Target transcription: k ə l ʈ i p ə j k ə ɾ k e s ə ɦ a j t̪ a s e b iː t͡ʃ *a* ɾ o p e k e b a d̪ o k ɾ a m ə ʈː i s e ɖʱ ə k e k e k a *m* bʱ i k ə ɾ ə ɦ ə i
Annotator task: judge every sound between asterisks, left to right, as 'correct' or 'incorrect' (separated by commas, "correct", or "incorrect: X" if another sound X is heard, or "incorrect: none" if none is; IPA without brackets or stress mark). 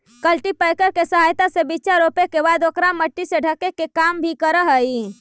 correct, correct